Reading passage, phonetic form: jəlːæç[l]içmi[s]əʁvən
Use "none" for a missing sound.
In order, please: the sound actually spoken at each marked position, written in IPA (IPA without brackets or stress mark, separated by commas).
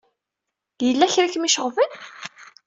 ɾ, ʃ